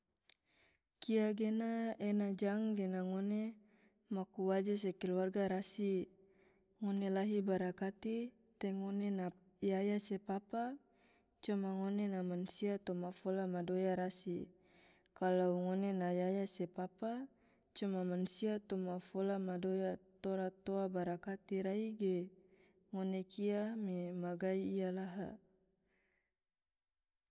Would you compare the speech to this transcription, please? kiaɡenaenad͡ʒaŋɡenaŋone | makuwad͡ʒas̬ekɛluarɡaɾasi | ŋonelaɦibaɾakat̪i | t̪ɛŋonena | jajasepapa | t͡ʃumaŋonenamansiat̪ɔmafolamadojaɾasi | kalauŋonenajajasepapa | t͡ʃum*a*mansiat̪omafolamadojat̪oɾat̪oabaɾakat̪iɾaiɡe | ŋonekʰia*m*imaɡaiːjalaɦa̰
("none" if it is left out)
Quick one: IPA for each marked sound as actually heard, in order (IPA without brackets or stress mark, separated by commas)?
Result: a, m